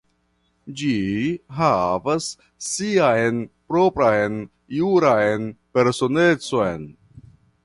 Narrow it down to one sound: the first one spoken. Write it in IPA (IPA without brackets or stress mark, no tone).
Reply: d͡ʒ